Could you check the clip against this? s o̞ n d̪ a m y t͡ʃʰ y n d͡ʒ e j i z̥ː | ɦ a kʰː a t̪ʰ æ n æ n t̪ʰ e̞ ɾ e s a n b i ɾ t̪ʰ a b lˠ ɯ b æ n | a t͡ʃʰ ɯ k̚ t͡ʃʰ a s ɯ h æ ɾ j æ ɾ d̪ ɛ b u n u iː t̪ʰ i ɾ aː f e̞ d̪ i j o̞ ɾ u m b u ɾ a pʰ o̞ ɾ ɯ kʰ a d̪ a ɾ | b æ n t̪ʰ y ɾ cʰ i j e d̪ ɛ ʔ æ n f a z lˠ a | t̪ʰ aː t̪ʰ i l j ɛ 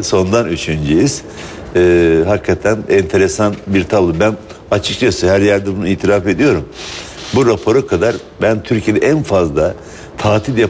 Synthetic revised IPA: s o̞ n d̪ a n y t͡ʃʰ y n d͡ʒ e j i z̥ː | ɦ a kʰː a t̪ʰ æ n ɛ n t̪ʰ e̞ ɾ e s a n b i ɾ t̪ʰ a b lˠ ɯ b æ n | a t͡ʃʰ ɯ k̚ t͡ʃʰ a s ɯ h æ ɾ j æ ɾ d̪ ɛ b u n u iː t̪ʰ i ɾ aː f e̞ d̪ i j o̞ ɾ u m b u ɾ a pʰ o̞ ɾ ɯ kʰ a d̪ a ɾ | b æ n t̪ʰ y ɾ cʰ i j e d̪ ɛ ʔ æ n f a z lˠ a | t̪ʰ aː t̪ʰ i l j a